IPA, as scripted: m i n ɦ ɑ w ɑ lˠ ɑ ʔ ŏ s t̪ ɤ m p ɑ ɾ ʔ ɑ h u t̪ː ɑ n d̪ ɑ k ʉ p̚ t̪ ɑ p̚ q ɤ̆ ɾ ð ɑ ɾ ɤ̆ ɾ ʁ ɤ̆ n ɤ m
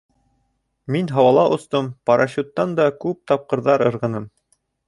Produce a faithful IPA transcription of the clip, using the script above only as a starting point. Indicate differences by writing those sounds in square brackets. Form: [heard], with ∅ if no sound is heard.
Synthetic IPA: m i n ɦ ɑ w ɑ lˠ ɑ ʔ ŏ s t̪ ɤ m p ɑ ɾ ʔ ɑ [ɕ] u t̪ː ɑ n d̪ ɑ k ʉ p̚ t̪ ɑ p̚ q ɤ̆ ɾ ð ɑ ɾ ɤ̆ ɾ ʁ ɤ̆ n ɤ m